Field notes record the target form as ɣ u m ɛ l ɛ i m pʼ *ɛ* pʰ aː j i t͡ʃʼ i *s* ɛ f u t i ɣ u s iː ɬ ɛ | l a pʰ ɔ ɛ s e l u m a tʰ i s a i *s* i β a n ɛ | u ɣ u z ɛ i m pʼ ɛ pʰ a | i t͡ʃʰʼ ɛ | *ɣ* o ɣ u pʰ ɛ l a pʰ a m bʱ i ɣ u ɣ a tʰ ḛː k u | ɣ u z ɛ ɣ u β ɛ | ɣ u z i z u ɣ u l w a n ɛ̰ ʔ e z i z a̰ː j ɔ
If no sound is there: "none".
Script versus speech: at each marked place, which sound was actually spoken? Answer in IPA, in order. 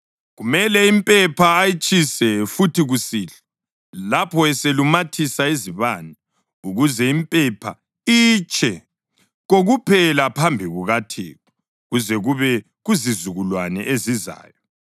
ɛ, s, z, ɣ

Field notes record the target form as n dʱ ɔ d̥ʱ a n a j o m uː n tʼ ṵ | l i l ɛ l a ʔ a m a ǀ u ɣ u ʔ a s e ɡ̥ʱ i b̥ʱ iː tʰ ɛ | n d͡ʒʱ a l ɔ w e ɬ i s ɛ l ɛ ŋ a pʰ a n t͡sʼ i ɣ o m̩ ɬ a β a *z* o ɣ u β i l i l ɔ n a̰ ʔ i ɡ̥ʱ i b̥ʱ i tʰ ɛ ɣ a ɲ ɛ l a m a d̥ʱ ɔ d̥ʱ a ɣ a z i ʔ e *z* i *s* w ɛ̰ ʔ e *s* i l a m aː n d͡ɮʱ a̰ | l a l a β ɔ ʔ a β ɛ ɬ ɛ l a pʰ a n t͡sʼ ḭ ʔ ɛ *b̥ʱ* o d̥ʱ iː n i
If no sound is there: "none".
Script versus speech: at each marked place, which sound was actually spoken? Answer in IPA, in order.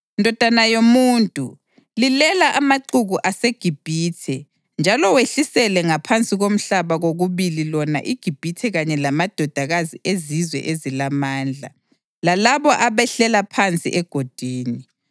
ɣ, z, z, z, ɡ̥ʱ

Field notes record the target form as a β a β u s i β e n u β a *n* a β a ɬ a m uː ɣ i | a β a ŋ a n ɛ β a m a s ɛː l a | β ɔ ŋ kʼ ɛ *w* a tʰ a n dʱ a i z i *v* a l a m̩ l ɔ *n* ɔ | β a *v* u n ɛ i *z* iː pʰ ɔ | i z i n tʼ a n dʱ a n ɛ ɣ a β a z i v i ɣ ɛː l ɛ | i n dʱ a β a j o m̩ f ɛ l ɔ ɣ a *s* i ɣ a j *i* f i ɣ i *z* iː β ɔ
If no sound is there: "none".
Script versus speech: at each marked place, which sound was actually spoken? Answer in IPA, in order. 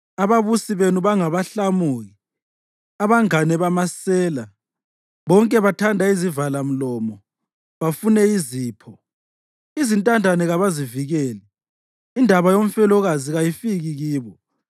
ŋ, β, v, m, f, z, z, i, ɣ

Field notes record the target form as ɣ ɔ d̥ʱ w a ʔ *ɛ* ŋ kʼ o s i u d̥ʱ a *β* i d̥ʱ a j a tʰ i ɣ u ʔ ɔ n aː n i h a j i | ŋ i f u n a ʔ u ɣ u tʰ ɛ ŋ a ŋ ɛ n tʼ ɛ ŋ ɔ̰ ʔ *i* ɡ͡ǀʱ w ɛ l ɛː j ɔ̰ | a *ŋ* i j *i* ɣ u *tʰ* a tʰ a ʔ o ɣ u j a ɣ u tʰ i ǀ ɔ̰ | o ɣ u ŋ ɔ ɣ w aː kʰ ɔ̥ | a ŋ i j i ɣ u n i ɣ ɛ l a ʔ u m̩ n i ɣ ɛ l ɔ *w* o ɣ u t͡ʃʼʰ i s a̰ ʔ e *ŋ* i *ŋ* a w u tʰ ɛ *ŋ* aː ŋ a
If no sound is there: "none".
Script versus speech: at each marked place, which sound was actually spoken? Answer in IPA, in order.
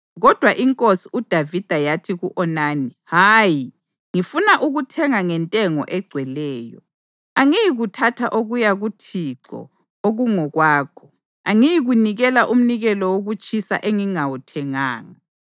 i, v, ɛ, ŋ, i, tʰ, w, ŋ, ŋ, ŋ

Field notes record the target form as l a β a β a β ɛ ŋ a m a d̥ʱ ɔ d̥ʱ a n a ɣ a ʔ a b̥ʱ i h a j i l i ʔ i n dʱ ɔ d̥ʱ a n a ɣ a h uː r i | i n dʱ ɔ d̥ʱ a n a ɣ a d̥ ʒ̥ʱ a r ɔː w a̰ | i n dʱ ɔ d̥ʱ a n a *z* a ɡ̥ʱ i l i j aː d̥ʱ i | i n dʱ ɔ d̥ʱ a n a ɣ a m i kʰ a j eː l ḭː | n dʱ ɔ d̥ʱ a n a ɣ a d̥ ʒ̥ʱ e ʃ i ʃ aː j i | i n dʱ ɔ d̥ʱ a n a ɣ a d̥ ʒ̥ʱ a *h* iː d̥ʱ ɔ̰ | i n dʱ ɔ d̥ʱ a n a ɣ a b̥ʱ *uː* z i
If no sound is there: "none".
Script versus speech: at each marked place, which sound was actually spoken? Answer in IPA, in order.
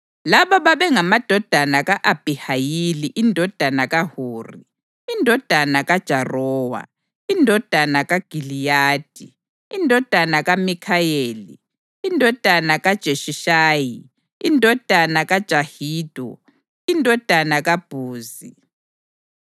ɣ, h, uː

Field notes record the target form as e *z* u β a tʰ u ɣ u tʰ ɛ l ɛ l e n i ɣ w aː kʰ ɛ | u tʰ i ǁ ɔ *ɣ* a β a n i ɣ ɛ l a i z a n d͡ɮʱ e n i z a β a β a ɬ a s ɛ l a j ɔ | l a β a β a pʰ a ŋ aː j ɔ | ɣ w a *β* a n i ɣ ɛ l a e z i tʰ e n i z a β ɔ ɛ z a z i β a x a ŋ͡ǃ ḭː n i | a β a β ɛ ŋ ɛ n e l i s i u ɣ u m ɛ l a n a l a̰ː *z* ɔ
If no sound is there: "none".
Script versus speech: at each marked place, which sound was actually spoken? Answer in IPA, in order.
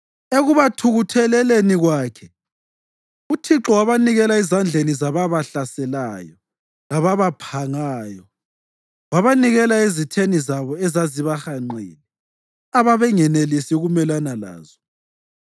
ɣ, w, β, z

